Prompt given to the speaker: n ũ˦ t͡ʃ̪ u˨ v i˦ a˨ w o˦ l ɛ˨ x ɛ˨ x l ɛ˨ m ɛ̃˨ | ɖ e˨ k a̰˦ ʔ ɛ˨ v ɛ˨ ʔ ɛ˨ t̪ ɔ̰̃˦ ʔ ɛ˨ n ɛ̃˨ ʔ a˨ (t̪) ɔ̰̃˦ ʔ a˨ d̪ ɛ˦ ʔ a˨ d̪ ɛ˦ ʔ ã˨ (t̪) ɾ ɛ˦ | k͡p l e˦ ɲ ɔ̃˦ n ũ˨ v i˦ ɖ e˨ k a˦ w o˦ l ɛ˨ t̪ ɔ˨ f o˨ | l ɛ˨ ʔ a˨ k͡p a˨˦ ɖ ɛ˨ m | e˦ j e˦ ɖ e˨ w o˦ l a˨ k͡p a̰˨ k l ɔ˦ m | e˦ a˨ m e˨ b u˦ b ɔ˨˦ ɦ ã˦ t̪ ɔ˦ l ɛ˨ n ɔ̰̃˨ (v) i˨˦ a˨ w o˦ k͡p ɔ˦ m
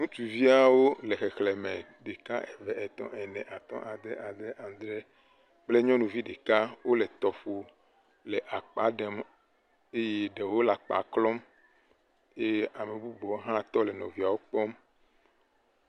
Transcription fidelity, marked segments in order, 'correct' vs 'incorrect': correct, incorrect: d̪, correct

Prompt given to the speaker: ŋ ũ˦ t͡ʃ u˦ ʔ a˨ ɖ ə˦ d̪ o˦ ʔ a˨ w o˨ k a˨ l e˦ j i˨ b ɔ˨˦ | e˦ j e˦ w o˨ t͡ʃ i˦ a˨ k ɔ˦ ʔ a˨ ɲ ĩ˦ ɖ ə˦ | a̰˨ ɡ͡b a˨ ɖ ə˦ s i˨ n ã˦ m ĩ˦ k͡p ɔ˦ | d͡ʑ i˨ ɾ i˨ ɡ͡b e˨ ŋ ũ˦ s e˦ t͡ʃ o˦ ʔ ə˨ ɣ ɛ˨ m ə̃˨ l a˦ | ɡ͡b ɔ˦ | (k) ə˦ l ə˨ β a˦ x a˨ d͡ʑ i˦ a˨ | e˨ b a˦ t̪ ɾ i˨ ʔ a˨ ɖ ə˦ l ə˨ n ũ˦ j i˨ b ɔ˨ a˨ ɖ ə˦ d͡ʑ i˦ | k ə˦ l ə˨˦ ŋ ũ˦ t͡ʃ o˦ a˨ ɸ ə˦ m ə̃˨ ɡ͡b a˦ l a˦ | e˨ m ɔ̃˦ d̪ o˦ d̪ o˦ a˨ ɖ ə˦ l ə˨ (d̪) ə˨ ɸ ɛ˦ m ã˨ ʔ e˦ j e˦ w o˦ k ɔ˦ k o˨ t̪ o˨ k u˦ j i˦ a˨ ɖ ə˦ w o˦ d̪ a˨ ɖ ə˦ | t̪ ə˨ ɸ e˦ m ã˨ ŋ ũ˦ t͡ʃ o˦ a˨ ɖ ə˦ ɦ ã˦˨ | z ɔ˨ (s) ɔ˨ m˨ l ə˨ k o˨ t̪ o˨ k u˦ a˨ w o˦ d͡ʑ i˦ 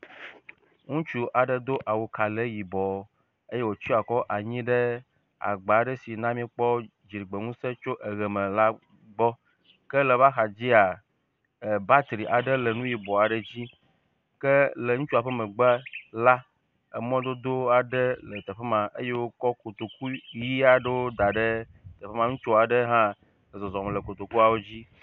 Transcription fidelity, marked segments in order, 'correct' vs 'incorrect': correct, incorrect: t̪, incorrect: z

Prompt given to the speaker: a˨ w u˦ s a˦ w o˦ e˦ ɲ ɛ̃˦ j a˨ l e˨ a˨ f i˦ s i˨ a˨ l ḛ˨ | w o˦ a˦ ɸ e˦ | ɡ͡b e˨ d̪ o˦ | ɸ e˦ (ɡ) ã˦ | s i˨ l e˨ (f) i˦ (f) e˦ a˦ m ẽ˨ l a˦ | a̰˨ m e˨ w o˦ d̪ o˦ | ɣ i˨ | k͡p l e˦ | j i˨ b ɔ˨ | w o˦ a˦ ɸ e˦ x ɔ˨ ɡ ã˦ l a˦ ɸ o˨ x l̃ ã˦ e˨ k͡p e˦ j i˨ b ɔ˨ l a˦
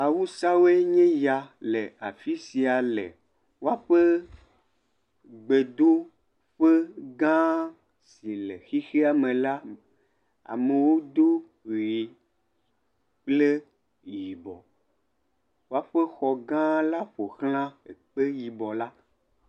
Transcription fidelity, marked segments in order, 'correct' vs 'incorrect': correct, incorrect: x, incorrect: x

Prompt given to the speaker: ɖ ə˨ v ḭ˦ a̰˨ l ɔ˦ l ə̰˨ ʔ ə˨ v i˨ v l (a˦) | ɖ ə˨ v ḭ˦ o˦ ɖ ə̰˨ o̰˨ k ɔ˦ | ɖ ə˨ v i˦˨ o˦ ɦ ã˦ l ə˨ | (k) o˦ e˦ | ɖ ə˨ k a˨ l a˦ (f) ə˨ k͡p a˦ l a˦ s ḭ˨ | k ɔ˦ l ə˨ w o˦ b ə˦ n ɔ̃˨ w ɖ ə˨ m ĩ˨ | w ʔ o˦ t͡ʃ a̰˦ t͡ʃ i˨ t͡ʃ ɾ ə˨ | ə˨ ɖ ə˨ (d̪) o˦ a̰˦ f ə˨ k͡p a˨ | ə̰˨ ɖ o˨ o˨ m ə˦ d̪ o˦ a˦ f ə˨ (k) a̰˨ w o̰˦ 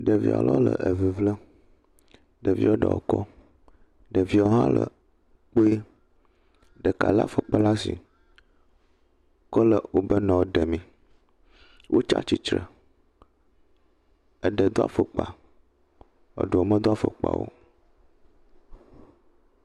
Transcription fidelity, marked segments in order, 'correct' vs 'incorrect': incorrect: ə˦, incorrect: k͡p, correct, correct, incorrect: k͡p

